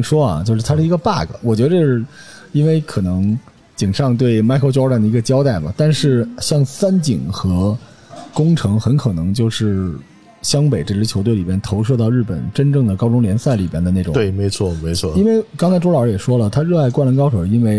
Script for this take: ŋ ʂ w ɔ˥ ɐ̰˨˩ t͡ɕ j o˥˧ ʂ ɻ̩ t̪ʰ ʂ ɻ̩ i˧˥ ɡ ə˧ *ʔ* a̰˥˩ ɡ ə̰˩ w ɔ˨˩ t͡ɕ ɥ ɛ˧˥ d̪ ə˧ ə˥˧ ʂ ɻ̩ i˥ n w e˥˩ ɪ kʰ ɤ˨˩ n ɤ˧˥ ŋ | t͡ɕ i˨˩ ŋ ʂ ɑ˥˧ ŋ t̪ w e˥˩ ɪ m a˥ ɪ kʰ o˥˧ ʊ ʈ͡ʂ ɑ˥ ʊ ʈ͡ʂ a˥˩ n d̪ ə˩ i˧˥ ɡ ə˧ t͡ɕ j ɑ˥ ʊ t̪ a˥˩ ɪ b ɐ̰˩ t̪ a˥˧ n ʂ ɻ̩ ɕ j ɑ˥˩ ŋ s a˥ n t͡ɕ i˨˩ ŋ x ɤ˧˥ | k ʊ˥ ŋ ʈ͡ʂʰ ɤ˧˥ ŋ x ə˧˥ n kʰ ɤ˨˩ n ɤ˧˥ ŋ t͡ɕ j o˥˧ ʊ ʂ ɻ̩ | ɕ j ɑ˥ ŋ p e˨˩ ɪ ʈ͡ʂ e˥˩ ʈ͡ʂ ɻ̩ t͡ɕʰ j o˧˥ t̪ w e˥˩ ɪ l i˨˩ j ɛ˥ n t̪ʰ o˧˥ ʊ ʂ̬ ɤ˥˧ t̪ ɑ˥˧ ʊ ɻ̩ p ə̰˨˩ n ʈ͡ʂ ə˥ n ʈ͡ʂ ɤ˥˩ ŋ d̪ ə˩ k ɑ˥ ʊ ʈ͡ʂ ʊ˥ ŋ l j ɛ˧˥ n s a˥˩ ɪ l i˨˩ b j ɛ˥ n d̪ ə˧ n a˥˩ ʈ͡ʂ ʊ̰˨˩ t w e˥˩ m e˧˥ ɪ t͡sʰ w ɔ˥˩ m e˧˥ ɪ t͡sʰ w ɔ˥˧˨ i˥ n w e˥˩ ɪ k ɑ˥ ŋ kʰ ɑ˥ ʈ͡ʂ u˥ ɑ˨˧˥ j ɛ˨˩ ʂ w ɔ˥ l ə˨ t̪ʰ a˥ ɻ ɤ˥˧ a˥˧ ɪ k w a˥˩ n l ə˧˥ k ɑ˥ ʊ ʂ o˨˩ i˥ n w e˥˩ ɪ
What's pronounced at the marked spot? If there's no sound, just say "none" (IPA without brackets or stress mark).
p